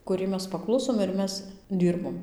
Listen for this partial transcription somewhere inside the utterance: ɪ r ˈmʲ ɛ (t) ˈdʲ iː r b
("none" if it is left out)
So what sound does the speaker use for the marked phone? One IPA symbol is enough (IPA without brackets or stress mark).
s